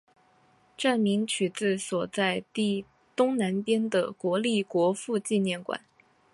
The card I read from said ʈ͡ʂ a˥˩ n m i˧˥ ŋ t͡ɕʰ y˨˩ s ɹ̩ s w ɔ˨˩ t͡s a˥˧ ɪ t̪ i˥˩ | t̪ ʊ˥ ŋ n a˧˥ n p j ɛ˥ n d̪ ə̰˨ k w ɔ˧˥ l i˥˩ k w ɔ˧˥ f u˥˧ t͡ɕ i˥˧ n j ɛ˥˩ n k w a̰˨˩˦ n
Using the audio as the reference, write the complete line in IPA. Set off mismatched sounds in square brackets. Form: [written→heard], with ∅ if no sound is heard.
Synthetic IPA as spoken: ʈ͡ʂ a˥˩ n m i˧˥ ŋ t͡ɕʰ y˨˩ [s→t͡s] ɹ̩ s w ɔ˨˩ t͡s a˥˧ ɪ t̪ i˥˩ | t̪ ʊ˥ ŋ n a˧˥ n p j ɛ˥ n d̪ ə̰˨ k w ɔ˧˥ l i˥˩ k w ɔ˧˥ f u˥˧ t͡ɕ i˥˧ n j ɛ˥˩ n k w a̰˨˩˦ n